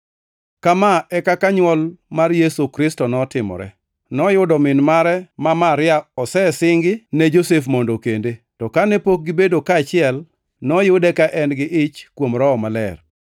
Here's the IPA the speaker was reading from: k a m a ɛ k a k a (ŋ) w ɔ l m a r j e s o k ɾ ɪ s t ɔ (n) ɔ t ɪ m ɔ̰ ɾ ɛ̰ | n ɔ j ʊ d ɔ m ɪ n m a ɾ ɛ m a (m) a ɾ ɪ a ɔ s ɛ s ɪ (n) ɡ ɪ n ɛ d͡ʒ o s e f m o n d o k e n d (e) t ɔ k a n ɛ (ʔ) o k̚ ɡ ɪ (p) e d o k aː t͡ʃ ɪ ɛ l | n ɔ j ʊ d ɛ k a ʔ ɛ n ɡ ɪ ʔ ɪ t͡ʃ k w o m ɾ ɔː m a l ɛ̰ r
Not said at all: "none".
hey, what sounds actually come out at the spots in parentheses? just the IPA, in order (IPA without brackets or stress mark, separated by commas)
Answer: ɲ, n, m, ŋ, e, p, b